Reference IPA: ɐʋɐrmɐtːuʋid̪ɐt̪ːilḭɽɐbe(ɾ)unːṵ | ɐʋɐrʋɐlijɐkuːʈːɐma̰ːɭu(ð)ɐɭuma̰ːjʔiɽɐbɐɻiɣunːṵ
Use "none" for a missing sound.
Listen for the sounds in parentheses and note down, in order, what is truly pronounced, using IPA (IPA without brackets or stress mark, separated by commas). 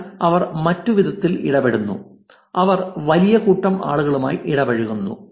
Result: ɽ, ɣ